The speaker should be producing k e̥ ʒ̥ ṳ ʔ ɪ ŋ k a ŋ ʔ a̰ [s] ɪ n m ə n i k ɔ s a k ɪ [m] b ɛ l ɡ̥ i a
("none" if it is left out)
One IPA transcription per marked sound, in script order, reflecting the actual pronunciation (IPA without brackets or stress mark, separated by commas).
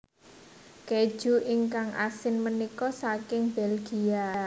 s, ŋ